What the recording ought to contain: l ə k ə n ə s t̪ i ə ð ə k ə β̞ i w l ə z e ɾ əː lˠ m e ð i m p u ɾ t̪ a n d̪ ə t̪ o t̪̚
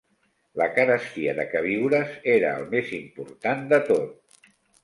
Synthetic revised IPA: l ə k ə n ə s t̪ i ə ð ə k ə β̞ i w ɾ ə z e ɾ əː lˠ m e z i m p u ɾ t̪ a n d̪ ə t̪ o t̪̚